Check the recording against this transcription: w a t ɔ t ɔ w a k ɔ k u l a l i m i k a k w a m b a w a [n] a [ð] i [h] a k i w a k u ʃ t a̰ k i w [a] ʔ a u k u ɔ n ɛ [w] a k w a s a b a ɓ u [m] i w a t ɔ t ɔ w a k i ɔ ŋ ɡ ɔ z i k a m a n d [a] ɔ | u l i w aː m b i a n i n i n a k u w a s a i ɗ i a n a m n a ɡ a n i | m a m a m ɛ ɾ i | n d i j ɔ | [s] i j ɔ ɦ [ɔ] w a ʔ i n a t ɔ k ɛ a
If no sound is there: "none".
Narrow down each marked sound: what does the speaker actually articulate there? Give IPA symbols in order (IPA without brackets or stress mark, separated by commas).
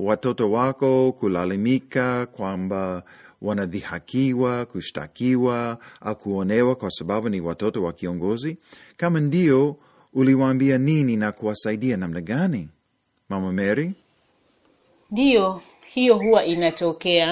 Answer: n, ð, h, a, w, n, i, h, u